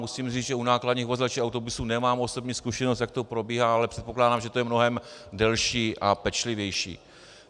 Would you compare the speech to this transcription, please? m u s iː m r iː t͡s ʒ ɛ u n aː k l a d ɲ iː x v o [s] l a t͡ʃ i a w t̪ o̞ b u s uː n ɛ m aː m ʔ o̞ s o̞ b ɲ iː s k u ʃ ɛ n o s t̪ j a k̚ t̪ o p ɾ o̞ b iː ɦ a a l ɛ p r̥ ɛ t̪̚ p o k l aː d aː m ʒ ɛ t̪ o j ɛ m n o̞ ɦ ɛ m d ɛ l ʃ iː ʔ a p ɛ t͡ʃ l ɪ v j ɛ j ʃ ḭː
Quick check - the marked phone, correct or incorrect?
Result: incorrect